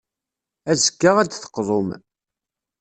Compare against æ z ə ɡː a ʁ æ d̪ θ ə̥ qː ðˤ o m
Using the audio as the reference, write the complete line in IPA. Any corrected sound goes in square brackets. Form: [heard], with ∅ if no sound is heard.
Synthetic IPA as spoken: æ z ə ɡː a ʁ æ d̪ θ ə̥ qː ðˤ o m